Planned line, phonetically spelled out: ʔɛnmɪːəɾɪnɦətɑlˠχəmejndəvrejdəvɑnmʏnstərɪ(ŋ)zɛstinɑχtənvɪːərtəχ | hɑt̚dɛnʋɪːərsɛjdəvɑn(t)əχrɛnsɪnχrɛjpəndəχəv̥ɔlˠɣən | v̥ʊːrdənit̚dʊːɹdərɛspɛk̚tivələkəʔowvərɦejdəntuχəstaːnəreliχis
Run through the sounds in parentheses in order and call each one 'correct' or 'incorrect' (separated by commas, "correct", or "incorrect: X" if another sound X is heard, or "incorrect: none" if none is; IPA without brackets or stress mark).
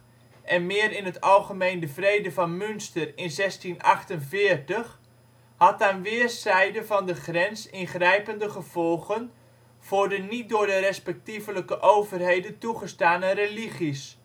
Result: incorrect: n, incorrect: d